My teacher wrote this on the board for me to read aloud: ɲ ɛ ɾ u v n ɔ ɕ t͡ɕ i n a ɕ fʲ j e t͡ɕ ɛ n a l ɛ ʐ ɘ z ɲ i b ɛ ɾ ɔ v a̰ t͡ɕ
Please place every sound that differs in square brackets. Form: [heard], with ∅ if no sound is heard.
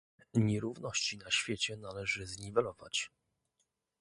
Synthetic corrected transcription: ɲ ɛ ɾ u v n ɔ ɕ t͡ɕ i n a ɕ fʲ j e t͡ɕ ɛ n a l ɛ ʐ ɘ z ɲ i [v] ɛ [l] ɔ v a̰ t͡ɕ

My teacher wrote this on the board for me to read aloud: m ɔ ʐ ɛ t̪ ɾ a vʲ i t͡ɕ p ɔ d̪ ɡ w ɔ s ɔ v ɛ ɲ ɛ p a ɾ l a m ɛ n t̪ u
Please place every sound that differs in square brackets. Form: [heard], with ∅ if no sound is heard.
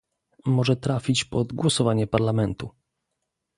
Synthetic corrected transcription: m ɔ ʐ ɛ t̪ ɾ a [fʲ] i t͡ɕ p ɔ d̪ ɡ w ɔ s ɔ v [a] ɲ ɛ p a ɾ l a m ɛ n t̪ u

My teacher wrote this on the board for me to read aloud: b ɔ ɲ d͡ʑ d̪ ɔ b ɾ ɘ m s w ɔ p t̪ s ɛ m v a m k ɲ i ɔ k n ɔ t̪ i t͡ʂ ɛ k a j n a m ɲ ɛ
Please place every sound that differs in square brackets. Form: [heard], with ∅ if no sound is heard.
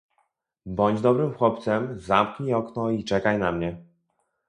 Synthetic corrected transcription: b ɔ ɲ d͡ʑ d̪ ɔ b ɾ ɘ m [x] w ɔ p t̪ s ɛ m [z] a m k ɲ i ɔ k n ɔ [∅] i t͡ʂ ɛ k a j n a m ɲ ɛ

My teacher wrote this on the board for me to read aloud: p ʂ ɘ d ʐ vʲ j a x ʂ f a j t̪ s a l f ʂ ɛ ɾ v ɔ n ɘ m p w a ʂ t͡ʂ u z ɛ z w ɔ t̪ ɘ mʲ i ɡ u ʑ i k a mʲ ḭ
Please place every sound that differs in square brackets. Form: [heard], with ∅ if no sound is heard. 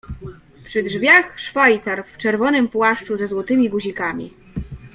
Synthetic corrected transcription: p ʂ ɘ d ʐ vʲ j a x ʂ f a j t̪ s a [ɾ] f [t͡ʂ] ɛ ɾ v ɔ n ɘ m p w a ʂ t͡ʂ u z ɛ z w ɔ t̪ ɘ mʲ i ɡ u ʑ i k a mʲ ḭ

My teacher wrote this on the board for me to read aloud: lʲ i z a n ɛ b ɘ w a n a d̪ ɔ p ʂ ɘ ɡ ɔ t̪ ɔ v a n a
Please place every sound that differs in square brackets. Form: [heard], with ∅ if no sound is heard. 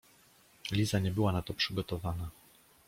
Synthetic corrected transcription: lʲ i z a [ɲ] ɛ b ɘ w a n a [t̪] ɔ p ʂ ɘ ɡ ɔ t̪ ɔ v a n a

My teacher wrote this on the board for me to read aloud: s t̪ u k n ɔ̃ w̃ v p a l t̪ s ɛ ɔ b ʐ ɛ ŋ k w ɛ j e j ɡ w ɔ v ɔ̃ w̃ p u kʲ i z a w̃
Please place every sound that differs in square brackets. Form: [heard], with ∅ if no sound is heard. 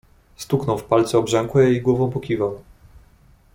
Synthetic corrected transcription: s t̪ u k n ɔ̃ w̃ [f] p a l t̪ s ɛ ɔ b ʐ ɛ ŋ k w ɛ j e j ɡ w ɔ v ɔ̃ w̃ p [ɔ] kʲ i [v] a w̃

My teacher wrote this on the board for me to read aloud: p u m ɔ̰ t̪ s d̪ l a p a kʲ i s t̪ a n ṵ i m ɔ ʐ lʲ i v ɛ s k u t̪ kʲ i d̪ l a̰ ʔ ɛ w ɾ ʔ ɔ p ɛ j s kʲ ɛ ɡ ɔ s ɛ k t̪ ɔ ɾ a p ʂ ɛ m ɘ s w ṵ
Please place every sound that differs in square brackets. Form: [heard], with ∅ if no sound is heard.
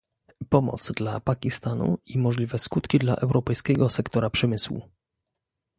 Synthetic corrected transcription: p [ɔ] m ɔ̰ t̪ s d̪ l a p a kʲ i s t̪ a n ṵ i m ɔ ʐ lʲ i v ɛ s k u t̪ kʲ i d̪ l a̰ ʔ ɛ w ɾ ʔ ɔ p ɛ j s kʲ ɛ ɡ ɔ s ɛ k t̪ ɔ ɾ a p ʂ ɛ m ɘ s w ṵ

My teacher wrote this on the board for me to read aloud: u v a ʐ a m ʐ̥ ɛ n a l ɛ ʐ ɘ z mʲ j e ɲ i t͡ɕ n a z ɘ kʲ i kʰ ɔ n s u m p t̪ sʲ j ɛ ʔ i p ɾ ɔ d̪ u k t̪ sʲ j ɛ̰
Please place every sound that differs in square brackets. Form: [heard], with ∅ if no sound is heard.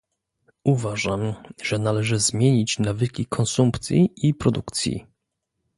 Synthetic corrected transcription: u v a ʐ a m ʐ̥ ɛ n a l ɛ ʐ ɘ z mʲ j e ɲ i t͡ɕ n a [v] ɘ kʲ i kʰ ɔ n s u m p t̪ sʲ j [i] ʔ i p ɾ ɔ d̪ u k t̪ sʲ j [ḭ]

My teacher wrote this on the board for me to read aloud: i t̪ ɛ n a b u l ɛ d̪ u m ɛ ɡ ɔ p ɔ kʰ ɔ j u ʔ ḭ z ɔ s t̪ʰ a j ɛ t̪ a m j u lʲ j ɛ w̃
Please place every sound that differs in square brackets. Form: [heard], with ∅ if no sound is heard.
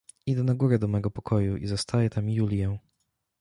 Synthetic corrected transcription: i [d̪] ɛ n a [ɡ] u [ɾ] ɛ d̪ [ɔ] m ɛ ɡ ɔ p ɔ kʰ ɔ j u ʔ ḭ z ɔ s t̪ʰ a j ɛ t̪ a m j u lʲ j ɛ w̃

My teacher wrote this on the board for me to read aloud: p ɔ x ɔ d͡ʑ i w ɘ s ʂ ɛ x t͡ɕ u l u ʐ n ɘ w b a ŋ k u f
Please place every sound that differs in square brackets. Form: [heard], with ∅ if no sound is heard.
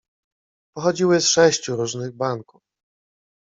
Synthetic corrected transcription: p ɔ x ɔ d͡ʑ i w ɘ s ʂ ɛ [ɕ] t͡ɕ u [ɾ] u ʐ n ɘ [ɣ] b a ŋ k u f

